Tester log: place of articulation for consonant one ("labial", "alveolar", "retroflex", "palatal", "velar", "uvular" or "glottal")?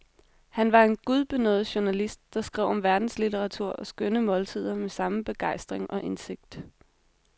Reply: glottal